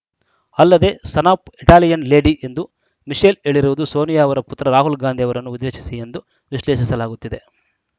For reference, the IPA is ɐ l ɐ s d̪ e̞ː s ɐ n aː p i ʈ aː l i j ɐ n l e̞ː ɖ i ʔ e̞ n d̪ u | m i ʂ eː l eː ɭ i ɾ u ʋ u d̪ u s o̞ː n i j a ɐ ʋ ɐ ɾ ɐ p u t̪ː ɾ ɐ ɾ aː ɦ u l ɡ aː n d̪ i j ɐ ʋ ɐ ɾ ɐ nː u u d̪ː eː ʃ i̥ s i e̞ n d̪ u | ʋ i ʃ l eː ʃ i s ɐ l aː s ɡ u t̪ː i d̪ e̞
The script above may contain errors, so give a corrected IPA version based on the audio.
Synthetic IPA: ɐ lː ɐ d̪ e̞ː s ɐ n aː p i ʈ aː l i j ɐ n l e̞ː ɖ i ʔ e̞ n d̪ u | m i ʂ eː l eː ɭ i ɾ u ʋ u d̪ u s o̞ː n i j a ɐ ʋ ɐ ɾ ɐ p u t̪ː ɾ ɐ ɾ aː ɦ u l ɡ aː n d̪ i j ɐ ʋ ɐ ɾ ɐ nː u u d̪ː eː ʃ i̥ s i e̞ n d̪ u | ʋ i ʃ l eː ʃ i s ɐ l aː ɡ u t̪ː i d̪ e̞